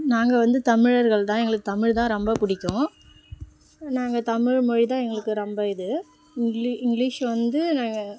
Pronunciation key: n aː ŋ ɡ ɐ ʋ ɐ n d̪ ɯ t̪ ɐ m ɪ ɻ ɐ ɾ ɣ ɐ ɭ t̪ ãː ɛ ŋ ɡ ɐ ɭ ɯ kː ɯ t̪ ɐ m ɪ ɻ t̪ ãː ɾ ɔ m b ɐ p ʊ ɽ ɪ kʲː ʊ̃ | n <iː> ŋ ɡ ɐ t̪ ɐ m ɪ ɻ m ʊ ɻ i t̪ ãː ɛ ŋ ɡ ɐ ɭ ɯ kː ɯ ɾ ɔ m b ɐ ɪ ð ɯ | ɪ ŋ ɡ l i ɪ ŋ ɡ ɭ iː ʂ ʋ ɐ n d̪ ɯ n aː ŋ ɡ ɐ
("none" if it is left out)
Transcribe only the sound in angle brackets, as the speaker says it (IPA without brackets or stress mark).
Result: aː